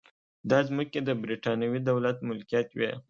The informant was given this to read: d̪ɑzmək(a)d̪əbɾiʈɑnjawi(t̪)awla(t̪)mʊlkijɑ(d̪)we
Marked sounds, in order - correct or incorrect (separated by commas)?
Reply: incorrect, incorrect, correct, incorrect